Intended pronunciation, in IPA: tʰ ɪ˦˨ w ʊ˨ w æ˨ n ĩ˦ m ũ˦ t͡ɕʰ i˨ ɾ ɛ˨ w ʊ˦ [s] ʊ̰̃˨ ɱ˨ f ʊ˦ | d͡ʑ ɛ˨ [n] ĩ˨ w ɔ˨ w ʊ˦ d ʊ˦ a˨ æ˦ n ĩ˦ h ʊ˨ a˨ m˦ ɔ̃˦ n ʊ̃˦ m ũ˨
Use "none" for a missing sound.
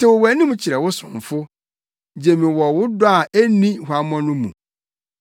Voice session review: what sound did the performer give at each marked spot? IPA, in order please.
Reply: s, m

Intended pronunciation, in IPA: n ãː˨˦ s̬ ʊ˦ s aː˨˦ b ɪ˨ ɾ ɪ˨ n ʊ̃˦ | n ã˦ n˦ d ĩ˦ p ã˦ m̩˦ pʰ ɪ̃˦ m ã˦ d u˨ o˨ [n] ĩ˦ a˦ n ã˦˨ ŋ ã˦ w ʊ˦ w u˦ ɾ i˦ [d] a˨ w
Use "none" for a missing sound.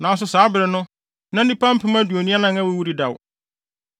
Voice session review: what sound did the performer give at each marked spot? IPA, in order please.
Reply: n, d

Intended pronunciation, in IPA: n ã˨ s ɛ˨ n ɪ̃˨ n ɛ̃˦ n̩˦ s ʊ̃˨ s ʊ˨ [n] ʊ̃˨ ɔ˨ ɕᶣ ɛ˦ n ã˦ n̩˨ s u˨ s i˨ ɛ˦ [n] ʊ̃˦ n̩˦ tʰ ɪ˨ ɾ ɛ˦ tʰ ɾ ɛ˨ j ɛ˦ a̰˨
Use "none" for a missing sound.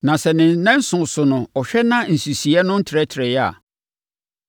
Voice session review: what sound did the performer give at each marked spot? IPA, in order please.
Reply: n, n

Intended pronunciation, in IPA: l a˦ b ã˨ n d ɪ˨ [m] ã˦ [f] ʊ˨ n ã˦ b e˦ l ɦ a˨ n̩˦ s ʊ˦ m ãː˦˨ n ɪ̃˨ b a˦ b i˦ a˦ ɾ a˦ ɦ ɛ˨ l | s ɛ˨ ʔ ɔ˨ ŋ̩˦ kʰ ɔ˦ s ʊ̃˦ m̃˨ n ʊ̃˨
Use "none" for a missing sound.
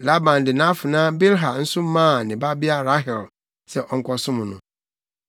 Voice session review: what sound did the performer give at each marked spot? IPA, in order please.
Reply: n, f

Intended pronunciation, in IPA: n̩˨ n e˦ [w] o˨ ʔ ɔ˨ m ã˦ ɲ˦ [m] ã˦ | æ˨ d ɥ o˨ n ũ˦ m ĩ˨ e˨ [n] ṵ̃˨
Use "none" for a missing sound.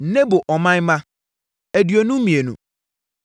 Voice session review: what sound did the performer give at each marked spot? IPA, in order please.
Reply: b, m, n

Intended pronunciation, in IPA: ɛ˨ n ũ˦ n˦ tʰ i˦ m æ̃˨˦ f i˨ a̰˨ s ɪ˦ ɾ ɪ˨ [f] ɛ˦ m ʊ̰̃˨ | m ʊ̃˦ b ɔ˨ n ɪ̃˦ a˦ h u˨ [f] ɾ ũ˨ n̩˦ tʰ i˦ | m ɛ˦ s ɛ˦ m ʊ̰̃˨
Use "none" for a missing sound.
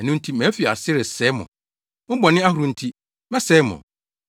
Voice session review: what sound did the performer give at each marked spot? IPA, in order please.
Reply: s, none

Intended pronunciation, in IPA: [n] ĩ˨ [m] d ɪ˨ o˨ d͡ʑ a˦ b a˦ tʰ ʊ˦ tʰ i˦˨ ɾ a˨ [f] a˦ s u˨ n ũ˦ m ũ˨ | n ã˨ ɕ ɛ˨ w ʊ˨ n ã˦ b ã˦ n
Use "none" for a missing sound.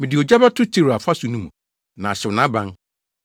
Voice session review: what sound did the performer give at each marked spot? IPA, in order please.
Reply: m, none, f

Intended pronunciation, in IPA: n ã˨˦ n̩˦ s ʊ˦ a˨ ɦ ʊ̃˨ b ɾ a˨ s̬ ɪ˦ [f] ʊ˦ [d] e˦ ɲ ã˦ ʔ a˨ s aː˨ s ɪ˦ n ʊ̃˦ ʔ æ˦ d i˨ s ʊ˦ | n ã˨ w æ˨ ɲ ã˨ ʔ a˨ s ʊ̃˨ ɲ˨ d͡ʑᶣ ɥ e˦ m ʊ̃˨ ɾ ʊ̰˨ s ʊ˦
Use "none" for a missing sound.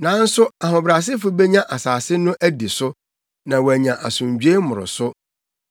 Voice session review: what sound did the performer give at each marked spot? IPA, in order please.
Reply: f, b

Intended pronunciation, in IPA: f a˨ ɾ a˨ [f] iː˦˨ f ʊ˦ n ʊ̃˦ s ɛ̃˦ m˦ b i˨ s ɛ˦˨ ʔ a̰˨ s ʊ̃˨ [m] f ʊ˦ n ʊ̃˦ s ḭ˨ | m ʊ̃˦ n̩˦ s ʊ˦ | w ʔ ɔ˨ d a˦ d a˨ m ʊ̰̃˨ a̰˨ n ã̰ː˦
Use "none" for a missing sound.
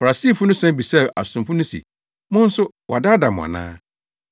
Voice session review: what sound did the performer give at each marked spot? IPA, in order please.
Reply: s, m

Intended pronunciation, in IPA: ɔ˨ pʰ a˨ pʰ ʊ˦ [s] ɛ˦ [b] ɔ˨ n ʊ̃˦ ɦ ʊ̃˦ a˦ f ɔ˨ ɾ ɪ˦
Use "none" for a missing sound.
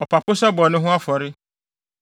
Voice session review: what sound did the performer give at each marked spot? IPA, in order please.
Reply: s, b

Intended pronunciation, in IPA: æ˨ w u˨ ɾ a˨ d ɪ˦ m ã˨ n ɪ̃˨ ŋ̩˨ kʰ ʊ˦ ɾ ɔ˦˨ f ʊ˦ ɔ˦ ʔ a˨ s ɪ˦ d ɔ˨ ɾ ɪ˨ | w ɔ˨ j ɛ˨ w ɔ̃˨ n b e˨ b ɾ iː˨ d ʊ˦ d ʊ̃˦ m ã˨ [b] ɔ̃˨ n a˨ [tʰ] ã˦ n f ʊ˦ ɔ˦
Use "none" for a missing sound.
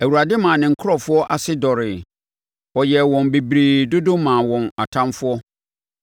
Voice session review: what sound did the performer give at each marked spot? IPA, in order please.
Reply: w, tʰ

